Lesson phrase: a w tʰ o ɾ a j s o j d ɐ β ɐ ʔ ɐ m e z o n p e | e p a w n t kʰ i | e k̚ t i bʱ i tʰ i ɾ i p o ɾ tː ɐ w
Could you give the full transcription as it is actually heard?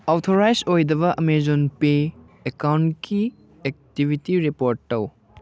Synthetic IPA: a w tʰ o ɾ a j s o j d ɐ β ɐ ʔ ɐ m e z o n p e | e k a w n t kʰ i | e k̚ t i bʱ i t i ɾ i p o ɾ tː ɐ w